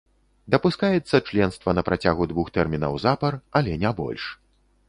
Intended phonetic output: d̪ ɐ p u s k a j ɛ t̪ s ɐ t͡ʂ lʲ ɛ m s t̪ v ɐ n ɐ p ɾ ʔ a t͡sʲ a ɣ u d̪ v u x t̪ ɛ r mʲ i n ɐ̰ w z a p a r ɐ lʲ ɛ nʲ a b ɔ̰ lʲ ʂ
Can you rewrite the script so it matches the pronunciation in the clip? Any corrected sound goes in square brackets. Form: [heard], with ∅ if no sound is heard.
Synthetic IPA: d̪ ɐ p u s k a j ɛ t̪ [sː] ɐ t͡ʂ lʲ ɛ [n] s t̪ v ɐ n ɐ p ɾ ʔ a t͡sʲ a ɣ u d̪ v u x t̪ ɛ r mʲ i n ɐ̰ w z a p [ɐ] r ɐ lʲ ɛ nʲ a b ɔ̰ lʲ ʂ